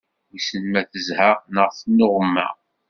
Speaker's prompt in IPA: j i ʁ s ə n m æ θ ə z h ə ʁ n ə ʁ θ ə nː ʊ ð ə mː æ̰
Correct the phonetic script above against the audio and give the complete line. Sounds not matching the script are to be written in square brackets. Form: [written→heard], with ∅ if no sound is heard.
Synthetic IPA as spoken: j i [ʁ→∅] s ə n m æ θ ə z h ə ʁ n ə ʁ θ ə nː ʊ [ð→ʁ] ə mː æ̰